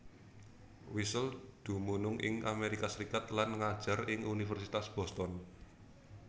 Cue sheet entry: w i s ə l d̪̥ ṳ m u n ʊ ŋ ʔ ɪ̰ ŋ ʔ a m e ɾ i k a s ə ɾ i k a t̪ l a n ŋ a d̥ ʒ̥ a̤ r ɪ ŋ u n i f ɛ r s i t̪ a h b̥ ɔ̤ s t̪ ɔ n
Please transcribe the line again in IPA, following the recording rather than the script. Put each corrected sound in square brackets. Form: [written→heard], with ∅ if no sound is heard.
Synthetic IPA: w i s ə l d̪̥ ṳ m u n ʊ ŋ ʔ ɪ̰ ŋ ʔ a m e ɾ i k a s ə ɾ i k a t̪ l a n ŋ a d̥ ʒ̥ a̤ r ɪ ŋ u n i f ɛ r s i t̪ a [h→s] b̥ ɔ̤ s t̪ ɔ n